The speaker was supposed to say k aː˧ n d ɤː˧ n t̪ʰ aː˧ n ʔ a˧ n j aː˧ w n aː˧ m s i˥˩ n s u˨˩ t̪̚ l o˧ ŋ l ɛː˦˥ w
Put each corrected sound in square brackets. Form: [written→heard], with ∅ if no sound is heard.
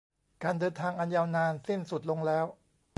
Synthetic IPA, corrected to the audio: k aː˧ n d ɤː˧ n t̪ʰ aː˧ [n→ŋ] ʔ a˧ n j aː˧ w n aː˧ [m→n] s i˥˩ n s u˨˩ t̪̚ l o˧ ŋ l ɛː˦˥ w